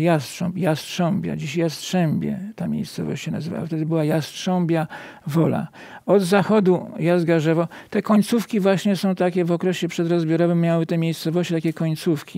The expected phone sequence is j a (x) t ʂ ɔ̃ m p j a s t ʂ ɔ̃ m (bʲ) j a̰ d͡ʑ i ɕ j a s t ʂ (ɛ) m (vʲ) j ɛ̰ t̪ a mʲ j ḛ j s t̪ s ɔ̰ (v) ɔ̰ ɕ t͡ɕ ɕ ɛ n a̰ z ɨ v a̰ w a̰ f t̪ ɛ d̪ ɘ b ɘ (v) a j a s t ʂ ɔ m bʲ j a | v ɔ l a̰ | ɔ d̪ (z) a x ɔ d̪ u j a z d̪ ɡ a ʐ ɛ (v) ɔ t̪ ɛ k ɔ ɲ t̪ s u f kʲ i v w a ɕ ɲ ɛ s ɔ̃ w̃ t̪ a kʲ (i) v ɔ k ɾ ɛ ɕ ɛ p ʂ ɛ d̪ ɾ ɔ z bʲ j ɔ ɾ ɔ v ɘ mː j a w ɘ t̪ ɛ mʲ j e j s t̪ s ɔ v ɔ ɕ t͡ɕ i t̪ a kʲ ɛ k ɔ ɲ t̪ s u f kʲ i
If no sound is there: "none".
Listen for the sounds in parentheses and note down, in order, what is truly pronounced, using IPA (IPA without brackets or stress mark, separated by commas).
s, bʲ, ɛ, bʲ, v, w, z, v, ɛ